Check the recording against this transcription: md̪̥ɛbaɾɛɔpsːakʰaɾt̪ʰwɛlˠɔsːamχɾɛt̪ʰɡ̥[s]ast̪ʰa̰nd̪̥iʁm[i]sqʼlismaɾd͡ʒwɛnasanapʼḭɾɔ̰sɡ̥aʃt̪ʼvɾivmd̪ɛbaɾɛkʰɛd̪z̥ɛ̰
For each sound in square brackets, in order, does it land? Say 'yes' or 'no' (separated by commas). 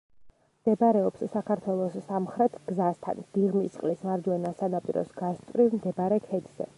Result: no, yes